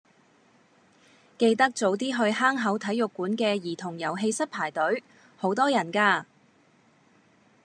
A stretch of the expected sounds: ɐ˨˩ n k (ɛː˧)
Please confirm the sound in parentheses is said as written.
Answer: no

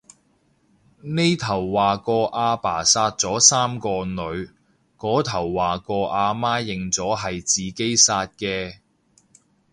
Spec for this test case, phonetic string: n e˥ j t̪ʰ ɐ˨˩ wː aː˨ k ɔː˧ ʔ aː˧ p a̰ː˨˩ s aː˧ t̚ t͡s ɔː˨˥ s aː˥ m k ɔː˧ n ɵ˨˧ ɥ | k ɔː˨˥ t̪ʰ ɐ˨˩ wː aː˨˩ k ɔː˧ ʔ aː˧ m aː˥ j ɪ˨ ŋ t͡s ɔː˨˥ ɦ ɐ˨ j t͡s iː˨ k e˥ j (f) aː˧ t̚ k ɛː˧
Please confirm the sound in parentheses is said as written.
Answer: no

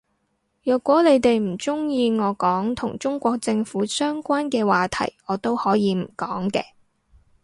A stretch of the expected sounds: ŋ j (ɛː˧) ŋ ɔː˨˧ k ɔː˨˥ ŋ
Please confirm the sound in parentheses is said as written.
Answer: no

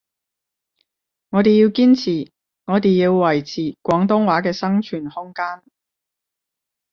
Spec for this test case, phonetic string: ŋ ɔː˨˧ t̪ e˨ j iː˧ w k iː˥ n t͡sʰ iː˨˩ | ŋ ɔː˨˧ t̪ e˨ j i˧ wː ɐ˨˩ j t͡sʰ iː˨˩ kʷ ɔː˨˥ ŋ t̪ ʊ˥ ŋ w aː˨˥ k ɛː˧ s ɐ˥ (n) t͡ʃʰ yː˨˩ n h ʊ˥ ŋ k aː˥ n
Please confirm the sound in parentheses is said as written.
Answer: no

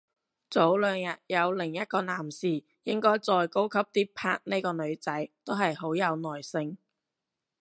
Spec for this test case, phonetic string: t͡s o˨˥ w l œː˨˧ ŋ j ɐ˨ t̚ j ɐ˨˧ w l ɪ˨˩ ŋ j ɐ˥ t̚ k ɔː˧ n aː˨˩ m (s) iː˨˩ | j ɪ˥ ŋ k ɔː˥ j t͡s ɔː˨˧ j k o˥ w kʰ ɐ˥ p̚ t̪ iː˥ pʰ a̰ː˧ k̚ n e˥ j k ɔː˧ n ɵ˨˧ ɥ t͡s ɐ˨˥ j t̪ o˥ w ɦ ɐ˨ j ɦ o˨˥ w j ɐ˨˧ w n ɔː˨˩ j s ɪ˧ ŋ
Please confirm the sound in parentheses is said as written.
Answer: yes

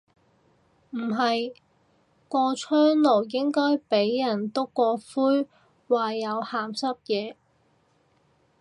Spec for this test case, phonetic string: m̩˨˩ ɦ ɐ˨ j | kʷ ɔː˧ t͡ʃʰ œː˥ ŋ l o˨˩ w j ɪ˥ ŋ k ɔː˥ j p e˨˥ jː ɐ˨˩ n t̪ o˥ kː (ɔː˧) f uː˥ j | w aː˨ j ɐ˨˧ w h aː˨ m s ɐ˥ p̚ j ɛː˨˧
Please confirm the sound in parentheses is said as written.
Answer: yes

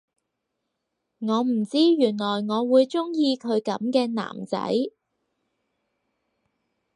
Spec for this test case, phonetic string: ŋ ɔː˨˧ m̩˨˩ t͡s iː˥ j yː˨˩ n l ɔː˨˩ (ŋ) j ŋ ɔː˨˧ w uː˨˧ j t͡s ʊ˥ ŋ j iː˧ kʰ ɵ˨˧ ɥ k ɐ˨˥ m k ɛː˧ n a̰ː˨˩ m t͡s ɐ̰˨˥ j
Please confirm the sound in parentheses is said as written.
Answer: no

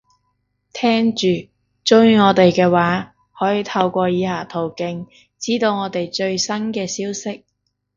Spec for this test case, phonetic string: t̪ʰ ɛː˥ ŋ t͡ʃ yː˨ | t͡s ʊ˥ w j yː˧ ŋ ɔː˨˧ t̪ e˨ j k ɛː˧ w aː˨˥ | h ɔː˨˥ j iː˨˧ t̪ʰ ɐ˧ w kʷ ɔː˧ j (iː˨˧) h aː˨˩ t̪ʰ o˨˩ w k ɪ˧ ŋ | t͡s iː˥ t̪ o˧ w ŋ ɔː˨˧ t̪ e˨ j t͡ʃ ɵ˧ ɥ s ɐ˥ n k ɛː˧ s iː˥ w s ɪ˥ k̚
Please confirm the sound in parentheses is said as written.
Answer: yes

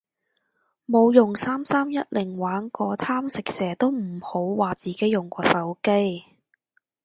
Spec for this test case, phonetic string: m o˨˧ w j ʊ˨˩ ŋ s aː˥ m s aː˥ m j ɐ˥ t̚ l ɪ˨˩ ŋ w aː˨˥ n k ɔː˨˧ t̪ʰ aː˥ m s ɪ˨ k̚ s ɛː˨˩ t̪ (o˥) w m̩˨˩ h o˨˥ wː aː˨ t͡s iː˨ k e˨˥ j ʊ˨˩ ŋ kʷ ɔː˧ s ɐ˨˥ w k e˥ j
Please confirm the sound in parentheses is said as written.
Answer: yes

